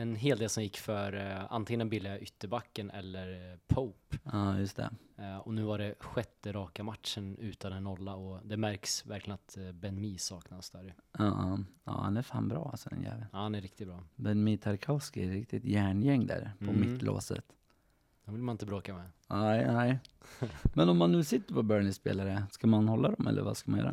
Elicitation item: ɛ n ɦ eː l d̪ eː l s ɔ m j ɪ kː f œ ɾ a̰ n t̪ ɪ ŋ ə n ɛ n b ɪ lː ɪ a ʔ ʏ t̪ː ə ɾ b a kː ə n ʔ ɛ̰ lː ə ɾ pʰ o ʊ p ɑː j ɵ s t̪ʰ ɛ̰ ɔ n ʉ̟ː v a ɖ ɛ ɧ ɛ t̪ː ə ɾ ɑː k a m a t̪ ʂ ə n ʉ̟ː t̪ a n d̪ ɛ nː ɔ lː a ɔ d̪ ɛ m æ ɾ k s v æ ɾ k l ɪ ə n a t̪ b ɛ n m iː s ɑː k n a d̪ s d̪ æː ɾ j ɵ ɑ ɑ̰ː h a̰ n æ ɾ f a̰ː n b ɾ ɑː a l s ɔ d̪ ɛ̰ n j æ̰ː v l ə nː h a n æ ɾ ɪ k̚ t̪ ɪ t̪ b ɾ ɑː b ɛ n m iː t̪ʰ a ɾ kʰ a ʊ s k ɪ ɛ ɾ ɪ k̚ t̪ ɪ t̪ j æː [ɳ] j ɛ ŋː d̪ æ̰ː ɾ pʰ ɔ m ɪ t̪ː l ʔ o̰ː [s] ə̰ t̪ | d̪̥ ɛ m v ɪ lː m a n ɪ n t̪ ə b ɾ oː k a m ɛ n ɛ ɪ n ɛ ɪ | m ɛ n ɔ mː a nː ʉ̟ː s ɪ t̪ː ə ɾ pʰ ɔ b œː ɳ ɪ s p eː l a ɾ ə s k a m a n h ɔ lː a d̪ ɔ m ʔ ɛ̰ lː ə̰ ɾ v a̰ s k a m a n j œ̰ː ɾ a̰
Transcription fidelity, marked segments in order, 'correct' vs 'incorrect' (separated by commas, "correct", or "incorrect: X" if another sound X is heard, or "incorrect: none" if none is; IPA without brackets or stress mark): correct, correct